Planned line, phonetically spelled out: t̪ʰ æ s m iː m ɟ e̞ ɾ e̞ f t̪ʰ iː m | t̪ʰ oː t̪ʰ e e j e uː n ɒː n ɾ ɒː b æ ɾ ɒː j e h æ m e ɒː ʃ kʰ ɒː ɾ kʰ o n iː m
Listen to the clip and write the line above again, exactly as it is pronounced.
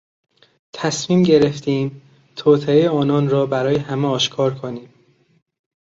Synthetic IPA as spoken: t̪ʰ æ s m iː m ɟ e̞ ɾ e̞ f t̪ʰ iː m | t̪ʰ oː t̪ʰ e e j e ɒː n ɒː n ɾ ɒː b æ ɾ ɒː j e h æ m e ɒː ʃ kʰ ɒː ɾ kʰ o n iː m